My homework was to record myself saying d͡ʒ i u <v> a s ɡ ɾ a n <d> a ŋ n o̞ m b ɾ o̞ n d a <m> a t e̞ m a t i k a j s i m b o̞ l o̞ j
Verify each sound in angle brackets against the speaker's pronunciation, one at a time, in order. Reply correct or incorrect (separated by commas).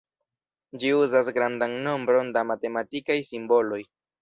incorrect, correct, correct